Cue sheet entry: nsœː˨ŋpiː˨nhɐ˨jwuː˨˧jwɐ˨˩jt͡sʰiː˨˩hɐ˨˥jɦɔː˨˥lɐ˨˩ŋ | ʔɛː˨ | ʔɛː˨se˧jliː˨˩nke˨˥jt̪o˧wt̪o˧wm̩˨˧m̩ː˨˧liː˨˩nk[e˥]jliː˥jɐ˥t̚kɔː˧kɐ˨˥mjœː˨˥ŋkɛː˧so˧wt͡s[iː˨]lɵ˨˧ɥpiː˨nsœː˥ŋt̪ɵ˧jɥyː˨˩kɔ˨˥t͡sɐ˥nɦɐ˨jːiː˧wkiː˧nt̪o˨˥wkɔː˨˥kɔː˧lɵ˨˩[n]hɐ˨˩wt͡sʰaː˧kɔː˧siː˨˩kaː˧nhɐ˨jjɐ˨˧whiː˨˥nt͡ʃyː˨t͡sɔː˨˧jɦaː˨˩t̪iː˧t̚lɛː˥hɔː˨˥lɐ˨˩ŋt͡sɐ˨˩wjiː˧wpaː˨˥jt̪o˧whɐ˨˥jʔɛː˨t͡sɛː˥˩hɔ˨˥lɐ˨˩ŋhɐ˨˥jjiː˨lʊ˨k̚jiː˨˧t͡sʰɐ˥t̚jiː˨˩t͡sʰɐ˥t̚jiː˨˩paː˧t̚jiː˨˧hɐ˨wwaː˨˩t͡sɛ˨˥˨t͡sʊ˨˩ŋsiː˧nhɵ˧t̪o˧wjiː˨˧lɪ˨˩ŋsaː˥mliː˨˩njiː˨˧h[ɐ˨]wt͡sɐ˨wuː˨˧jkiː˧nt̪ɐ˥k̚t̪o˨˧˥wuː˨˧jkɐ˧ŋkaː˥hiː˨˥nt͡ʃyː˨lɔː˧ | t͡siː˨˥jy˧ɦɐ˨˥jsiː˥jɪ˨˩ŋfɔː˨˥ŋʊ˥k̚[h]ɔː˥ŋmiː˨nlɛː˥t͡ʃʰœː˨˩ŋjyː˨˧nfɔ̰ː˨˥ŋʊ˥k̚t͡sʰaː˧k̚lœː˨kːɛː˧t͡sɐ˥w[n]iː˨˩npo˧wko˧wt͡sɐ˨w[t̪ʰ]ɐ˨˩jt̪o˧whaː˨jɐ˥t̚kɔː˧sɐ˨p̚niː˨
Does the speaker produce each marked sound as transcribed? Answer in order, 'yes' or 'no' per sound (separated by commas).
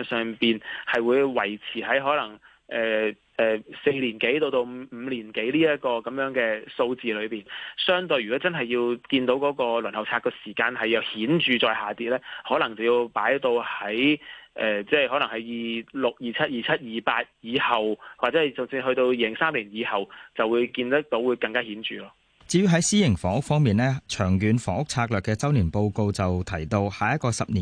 no, yes, yes, yes, no, yes, yes